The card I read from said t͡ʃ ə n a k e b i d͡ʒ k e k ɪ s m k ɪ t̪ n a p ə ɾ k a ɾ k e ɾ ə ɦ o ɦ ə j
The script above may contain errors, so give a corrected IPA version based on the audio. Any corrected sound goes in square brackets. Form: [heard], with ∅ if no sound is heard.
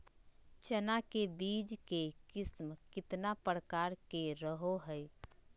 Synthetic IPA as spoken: t͡ʃ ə n a k e b i d͡ʒ k e k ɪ s m k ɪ t̪ n a p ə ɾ k a ɾ k e ɾ ə ɦ o ɦ ə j